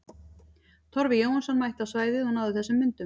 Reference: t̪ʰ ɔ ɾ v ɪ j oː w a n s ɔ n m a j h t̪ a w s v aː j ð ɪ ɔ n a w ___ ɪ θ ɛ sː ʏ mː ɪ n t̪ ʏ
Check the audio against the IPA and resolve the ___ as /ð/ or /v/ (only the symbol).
ð